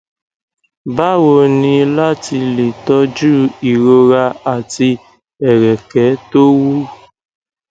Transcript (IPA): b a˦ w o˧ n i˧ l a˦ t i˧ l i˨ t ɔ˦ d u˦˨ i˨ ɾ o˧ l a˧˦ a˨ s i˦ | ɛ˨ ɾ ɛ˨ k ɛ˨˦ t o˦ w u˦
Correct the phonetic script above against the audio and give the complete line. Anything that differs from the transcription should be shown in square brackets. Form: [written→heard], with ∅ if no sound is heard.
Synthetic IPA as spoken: b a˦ w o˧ n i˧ l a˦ t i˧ l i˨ t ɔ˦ [d→d͡ʒ] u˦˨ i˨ ɾ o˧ [l→ɾ] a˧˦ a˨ [s→t] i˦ | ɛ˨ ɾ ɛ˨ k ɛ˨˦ t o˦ w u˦